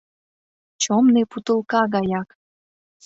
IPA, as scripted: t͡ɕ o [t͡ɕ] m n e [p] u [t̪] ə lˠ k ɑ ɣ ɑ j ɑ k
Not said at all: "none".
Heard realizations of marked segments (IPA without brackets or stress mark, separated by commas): none, p, t̪